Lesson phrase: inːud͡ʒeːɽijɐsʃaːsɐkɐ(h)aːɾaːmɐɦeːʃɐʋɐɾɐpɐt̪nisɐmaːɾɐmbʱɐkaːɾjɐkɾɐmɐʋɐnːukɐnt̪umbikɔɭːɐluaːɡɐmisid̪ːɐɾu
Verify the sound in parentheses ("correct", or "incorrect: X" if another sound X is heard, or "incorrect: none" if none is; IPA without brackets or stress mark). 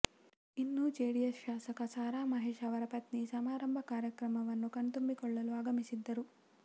incorrect: s